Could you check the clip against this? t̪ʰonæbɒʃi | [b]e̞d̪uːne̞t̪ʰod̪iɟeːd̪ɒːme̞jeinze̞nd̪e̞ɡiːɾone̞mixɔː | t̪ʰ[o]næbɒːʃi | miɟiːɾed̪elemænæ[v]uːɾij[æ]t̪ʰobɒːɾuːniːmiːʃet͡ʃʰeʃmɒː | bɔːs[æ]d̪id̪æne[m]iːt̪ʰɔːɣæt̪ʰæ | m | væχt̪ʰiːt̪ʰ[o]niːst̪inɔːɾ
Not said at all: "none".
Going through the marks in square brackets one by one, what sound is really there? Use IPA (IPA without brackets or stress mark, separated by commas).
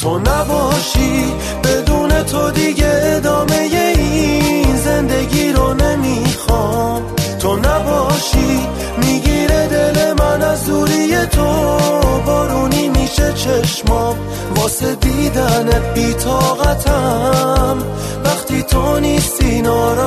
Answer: b, o, z, e, e, b, o